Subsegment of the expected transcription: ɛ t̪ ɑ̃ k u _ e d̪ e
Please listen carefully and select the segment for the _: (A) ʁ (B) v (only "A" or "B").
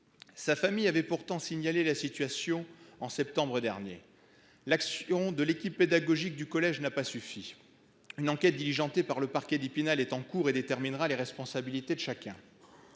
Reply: A